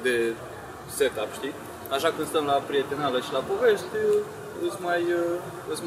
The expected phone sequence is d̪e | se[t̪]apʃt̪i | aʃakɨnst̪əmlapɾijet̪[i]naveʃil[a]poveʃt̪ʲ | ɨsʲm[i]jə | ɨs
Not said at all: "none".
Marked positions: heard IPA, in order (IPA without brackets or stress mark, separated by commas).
t̪, e, a, a